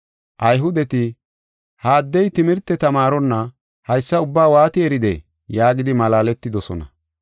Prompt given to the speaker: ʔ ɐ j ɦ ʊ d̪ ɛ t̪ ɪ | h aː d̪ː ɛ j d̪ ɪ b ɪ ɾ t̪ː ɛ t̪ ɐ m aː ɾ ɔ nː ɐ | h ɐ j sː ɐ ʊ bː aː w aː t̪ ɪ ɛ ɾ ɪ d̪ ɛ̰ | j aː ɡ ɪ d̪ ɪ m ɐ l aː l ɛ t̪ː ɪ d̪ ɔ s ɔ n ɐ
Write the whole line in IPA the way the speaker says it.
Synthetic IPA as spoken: ʔ ɐ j ɦ ʊ d̪ ɛ t̪ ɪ | h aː d̪ː ɛ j t̪ ɪ m ɪ ɾ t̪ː ɛ t̪ ɐ m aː ɾ ɔ nː ɐ | h ɐ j sː ɐ ʊ bː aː w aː t̪ ɪ ɛ ɾ ɪ d̪ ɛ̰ | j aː ɡ ɪ d̪ ɪ m ɐ l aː l ɛ t̪ː ɪ d̪ ɔ s ɔ n ɐ